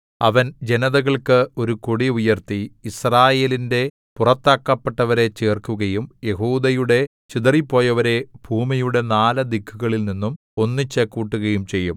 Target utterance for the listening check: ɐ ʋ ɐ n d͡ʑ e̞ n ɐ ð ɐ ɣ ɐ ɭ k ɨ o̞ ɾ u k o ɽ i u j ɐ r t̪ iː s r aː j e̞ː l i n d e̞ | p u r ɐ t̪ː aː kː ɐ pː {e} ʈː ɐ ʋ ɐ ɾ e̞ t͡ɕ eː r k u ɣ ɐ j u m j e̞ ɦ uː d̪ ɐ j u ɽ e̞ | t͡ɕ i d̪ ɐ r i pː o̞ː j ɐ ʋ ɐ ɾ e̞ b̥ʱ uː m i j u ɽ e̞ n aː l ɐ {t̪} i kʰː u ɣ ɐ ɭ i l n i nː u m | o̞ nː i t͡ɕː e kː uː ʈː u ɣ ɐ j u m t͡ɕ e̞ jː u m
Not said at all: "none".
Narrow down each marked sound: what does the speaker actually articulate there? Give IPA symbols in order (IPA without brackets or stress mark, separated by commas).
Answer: e, d̪